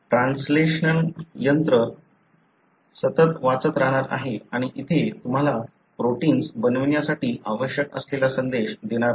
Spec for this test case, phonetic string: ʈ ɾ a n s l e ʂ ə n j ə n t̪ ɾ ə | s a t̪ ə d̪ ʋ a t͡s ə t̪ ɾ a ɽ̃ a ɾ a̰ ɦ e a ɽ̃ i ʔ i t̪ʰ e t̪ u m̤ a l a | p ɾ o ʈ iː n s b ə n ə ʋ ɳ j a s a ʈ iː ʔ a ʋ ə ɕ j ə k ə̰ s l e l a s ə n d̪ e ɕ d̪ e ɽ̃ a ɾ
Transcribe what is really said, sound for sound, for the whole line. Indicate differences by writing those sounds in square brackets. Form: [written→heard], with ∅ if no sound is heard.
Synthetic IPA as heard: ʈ ɾ a n s l e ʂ ə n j ə n t̪ ɾ ə | s [a→ə] t̪ ə [d̪→t̪] ʋ a t͡s ə t̪ ɾ a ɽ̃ a ɾ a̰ ɦ e a ɽ̃ i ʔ i t̪ʰ e t̪ u m̤ a l a | p ɾ o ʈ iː n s b ə n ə ʋ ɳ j a s a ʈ iː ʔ a ʋ ə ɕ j ə k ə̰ s l e l a s ə n d̪ e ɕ d̪ e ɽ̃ a ɾ

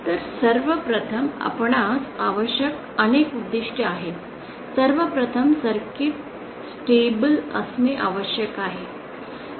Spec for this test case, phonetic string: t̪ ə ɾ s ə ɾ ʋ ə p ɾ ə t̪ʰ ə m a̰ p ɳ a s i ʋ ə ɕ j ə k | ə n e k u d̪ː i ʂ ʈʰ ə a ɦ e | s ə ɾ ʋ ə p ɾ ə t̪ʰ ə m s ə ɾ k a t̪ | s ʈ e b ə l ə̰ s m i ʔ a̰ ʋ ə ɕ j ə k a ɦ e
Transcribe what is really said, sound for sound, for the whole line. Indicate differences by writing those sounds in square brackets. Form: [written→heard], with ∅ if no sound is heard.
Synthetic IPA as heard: t̪ ə ɾ s ə ɾ ʋ ə p ɾ ə t̪ʰ ə m a̰ p ɳ a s [i→a] ʋ ə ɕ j ə k | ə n e k u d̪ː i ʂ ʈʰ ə a ɦ e | s ə ɾ ʋ ə p ɾ ə t̪ʰ ə m s ə ɾ k [a→i] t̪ | s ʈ e b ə l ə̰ s m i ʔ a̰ ʋ ə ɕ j ə k a ɦ e

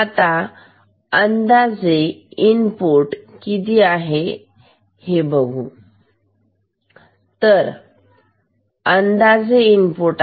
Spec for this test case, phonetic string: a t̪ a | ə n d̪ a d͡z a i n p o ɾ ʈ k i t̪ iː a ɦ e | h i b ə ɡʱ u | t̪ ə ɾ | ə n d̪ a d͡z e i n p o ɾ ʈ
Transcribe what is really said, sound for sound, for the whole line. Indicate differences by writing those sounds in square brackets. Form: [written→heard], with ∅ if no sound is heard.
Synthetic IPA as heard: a t̪ a | ə n d̪ a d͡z [a→e] i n p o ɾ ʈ k i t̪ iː a ɦ e | h [i→e] b ə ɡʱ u | t̪ ə ɾ | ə n d̪ a d͡z e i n p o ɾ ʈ

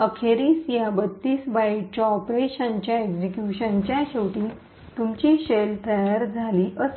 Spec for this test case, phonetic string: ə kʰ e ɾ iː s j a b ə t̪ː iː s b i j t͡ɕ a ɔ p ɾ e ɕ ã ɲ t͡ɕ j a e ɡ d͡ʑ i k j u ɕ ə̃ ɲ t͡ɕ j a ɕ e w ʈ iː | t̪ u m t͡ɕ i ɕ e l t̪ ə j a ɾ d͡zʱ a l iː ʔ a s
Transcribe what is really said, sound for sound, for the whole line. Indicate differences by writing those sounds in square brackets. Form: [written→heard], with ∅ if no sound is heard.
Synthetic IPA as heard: ə kʰ e ɾ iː s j a b ə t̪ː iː s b [i→a] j t͡ɕ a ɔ p ɾ e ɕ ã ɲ t͡ɕ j a e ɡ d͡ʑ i k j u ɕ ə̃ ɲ t͡ɕ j a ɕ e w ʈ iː | t̪ u m t͡ɕ i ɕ e l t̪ ə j a ɾ d͡zʱ a l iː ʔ [a→ə] s

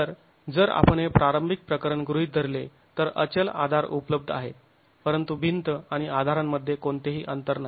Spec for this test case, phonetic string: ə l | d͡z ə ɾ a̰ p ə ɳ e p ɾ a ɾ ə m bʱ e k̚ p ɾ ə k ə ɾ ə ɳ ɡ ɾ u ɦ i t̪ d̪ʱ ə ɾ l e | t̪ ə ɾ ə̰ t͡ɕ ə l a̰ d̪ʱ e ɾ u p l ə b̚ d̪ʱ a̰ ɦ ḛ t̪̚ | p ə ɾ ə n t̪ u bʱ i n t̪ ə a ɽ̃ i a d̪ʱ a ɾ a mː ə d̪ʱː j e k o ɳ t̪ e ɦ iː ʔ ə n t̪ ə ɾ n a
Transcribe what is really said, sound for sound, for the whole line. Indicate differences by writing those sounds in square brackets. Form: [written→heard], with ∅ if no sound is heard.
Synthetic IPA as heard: ə [l→ɾ] | d͡z ə ɾ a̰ p ə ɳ e p ɾ a ɾ ə m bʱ [e→i] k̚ p ɾ ə k ə ɾ ə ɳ ɡ ɾ u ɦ i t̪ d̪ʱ ə ɾ l e | t̪ ə ɾ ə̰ t͡ɕ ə l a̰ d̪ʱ [e→a] ɾ u p l ə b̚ d̪ʱ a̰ ɦ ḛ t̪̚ | p ə ɾ ə n t̪ u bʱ i n t̪ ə a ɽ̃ i a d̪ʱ a ɾ a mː ə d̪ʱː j e k o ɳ t̪ e ɦ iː ʔ ə n t̪ ə ɾ n a

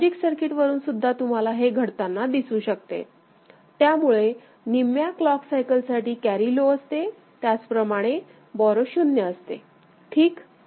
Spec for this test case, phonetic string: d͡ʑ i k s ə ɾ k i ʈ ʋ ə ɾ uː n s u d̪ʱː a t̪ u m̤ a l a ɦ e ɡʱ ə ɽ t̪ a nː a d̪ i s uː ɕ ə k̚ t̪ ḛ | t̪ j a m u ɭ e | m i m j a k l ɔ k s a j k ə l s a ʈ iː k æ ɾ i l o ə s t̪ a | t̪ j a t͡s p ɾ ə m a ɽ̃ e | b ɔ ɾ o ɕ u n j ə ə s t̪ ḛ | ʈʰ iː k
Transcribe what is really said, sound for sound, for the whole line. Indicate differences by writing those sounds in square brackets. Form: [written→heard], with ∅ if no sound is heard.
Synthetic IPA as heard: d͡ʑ i k s ə ɾ k i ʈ ʋ ə ɾ uː n s u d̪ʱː a t̪ u m̤ a l a ɦ e ɡʱ ə ɽ t̪ a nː a d̪ i s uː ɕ ə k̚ t̪ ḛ | t̪ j a m u ɭ e | [m→n] i m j a k l ɔ k s a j k ə l s a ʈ iː k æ ɾ i l o ə s t̪ [a→e] | t̪ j a t͡s p ɾ ə m a ɽ̃ e | b ɔ ɾ o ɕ u n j ə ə s t̪ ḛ | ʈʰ iː k

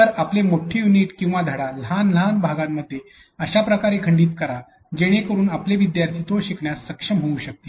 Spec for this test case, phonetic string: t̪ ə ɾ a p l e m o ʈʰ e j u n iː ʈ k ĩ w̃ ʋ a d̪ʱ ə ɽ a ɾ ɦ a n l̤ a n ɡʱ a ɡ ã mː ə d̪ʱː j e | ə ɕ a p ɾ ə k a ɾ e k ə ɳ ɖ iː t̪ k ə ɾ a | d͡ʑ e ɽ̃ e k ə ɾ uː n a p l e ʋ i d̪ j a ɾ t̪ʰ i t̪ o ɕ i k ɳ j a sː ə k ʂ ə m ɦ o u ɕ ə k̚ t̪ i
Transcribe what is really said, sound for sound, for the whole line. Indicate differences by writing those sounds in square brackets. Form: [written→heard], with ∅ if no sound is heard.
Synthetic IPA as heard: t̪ ə ɾ a p l e m o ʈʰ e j u n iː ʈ k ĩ w̃ ʋ a d̪ʱ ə ɽ a [ɾ→l] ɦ a n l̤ a n [ɡʱ→bʱ] a ɡ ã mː ə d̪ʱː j e | ə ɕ a p ɾ ə k a ɾ e [k→kʰ] ə ɳ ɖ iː t̪ k ə ɾ a | d͡ʑ e ɽ̃ e k ə ɾ uː n a p l e ʋ i d̪ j a ɾ t̪ʰ i t̪ o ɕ i k ɳ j a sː ə k ʂ ə m ɦ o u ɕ ə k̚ t̪ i

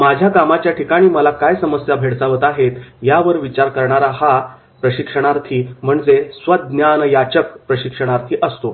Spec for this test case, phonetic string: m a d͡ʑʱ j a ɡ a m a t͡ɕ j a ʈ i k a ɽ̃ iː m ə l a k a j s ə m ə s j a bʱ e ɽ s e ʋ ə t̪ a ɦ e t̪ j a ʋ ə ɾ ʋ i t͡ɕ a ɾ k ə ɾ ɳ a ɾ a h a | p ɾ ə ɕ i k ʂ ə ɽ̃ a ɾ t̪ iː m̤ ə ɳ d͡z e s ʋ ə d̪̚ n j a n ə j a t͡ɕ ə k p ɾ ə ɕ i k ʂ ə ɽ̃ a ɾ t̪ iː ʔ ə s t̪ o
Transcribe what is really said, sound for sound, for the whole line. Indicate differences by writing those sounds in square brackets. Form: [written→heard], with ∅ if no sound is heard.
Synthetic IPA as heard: m a d͡ʑʱ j a [ɡ→k] a m a t͡ɕ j a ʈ i k a ɽ̃ iː m ə l a k a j s ə m ə s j a bʱ e ɽ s [e→a] ʋ ə t̪ a ɦ e t̪ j a ʋ ə ɾ ʋ i t͡ɕ a ɾ k ə ɾ ɳ a ɾ a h a | p ɾ ə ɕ i k ʂ ə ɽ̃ a ɾ [t̪→t̪ʰ] iː m̤ ə ɳ d͡z e s ʋ ə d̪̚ n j a n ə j a t͡ɕ ə k p ɾ ə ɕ i k ʂ ə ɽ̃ a ɾ [t̪→t̪ʰ] iː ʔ ə s t̪ o

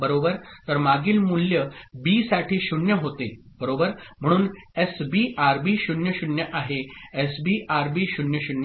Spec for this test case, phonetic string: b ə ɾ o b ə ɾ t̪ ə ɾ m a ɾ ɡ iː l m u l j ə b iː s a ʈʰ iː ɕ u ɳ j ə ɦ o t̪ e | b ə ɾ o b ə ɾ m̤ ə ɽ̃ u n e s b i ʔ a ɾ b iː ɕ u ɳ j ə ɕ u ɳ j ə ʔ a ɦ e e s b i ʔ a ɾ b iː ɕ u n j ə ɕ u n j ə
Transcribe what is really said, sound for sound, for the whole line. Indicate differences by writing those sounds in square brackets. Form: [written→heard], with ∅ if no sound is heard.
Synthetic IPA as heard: b ə ɾ o b ə ɾ t̪ ə ɾ m a [ɾ→∅] ɡ iː l m u l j ə b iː s a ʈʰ iː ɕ u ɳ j ə ɦ o t̪ e | b ə ɾ o b ə ɾ m̤ ə ɽ̃ [u→uː] n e s b i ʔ a ɾ b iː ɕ u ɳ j ə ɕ u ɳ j ə ʔ a ɦ e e s b i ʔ a ɾ b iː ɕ u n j ə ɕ u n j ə

